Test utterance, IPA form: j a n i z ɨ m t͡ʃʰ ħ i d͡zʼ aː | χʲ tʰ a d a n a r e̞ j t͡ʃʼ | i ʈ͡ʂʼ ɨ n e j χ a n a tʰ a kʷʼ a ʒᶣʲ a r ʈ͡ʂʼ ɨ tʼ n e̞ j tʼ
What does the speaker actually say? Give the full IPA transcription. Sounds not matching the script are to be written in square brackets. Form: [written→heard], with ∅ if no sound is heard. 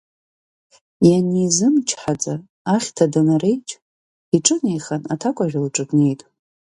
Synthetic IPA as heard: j a n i z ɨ m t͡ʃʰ ħ [i→a] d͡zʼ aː | χʲ tʰ a d a n a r e̞ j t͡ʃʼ | i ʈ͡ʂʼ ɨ n e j χ a n a tʰ a kʷʼ a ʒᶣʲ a [r→l] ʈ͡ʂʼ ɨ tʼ n e̞ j tʼ